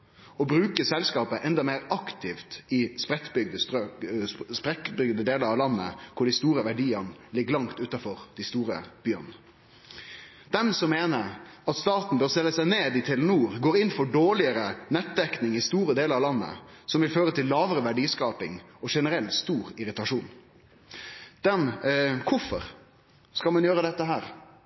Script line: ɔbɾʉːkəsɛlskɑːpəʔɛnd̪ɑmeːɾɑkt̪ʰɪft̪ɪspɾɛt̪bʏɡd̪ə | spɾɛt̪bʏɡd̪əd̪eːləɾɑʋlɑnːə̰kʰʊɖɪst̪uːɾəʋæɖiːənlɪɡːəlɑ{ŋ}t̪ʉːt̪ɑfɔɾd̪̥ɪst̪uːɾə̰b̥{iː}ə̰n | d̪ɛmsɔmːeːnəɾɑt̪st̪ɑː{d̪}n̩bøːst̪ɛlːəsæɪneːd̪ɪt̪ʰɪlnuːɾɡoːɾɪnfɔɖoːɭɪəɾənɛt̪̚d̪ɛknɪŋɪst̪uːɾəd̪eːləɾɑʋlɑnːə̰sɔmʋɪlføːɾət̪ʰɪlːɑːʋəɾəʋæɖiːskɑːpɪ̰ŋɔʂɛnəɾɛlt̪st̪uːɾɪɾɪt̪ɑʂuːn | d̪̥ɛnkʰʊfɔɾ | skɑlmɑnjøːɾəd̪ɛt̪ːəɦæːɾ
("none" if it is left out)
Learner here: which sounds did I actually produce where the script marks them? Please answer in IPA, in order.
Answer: ŋ, yː, t̪

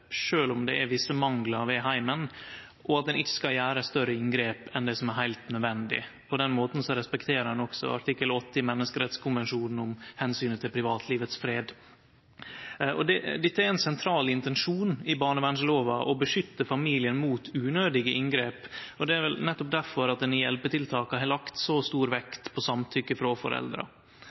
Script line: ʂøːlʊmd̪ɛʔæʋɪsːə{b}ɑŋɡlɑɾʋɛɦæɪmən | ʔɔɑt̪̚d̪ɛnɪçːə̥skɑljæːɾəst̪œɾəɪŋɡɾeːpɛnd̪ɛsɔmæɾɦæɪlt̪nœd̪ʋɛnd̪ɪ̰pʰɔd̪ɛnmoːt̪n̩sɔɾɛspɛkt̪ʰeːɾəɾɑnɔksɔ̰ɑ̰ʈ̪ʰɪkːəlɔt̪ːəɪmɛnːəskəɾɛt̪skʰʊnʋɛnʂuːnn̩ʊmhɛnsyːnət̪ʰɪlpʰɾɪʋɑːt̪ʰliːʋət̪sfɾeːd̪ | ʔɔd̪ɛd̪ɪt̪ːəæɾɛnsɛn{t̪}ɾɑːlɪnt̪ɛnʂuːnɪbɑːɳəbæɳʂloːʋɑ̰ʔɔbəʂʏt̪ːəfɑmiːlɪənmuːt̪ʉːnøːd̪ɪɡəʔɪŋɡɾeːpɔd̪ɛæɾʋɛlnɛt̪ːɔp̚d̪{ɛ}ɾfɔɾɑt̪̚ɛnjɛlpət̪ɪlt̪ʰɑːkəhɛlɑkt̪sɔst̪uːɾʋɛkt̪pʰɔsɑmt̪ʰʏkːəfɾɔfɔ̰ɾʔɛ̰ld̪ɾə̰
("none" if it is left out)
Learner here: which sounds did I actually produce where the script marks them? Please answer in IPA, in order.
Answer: m, t̪ʰ, æ

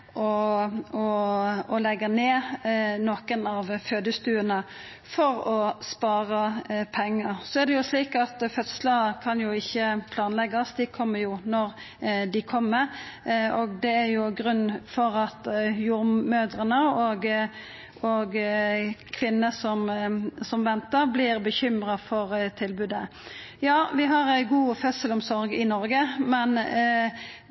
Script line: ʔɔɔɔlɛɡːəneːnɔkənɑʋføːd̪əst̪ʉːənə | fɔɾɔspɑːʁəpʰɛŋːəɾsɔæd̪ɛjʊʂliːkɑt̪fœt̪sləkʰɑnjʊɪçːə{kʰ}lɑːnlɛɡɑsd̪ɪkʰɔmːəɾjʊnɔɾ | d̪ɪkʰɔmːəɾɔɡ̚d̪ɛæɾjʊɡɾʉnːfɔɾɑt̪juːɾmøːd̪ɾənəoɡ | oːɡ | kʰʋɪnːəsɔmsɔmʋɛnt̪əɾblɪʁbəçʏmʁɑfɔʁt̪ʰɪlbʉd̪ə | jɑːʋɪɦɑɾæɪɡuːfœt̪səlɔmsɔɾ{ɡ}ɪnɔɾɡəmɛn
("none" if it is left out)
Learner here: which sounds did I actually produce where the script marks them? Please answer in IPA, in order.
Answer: pʰ, ɡ

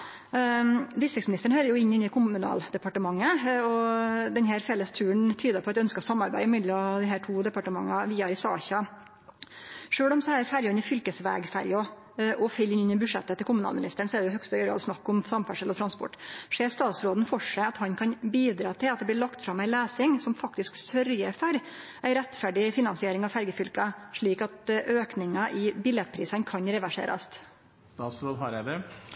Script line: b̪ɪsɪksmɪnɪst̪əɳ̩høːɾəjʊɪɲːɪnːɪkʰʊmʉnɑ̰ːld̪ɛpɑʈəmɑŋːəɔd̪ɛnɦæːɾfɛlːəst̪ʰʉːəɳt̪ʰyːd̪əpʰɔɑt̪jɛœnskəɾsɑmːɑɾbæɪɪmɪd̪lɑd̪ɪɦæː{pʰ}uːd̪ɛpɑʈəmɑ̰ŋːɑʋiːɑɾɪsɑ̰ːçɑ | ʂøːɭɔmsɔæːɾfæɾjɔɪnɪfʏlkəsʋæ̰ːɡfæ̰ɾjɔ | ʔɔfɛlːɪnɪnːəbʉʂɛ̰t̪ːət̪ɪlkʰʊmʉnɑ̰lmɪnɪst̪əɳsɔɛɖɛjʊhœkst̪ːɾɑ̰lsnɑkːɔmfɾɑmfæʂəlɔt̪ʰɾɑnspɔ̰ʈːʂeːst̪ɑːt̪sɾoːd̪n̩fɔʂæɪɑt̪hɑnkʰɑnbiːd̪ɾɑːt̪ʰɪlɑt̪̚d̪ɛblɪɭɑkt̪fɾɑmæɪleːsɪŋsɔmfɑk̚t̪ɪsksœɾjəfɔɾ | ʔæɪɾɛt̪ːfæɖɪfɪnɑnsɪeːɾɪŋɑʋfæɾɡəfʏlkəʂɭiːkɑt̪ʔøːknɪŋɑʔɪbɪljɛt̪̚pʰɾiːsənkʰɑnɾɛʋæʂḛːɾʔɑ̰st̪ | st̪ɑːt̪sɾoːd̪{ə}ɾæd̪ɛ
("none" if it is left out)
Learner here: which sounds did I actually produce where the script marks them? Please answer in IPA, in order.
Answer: ʈʰ, ɑ

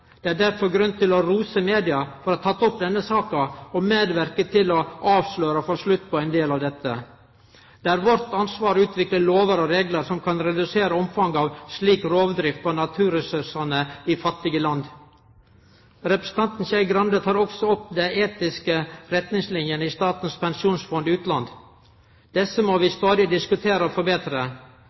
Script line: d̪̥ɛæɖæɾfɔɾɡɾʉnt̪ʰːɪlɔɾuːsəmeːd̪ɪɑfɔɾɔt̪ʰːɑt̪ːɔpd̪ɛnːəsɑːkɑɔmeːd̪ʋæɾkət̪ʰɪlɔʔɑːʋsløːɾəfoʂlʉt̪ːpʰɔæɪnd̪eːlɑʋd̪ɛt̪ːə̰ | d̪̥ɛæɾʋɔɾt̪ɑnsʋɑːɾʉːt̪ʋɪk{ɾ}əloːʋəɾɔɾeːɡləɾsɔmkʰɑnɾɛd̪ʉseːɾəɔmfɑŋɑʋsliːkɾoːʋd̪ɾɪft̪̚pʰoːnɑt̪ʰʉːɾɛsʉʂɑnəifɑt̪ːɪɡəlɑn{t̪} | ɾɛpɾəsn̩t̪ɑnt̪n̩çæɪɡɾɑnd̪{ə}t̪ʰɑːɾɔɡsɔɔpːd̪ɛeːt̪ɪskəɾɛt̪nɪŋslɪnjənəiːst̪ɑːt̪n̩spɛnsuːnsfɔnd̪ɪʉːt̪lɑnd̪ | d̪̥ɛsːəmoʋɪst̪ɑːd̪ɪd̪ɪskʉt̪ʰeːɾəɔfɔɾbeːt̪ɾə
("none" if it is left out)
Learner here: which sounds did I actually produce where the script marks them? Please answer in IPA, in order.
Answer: l, d̪, ə

